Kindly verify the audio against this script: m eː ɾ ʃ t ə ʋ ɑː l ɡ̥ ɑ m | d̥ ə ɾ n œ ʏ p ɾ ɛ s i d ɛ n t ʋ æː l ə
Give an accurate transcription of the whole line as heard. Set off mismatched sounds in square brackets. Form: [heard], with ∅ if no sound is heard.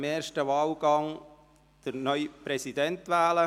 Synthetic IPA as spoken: m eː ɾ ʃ t ə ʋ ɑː l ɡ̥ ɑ [ŋ] | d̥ ə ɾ n œ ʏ p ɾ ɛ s i d ɛ n t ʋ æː l ə